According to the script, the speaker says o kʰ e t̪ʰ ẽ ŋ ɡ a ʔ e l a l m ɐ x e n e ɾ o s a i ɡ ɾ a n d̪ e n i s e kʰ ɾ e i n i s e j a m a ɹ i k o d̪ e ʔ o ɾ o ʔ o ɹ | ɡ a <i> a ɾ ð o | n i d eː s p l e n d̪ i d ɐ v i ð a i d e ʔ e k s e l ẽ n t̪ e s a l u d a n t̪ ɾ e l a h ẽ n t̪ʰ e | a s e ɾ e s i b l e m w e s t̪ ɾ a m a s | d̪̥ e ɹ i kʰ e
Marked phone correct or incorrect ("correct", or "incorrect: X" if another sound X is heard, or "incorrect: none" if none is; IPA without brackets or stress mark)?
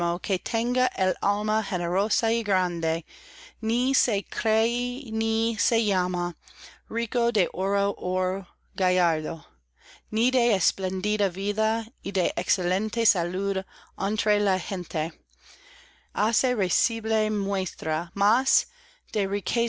incorrect: j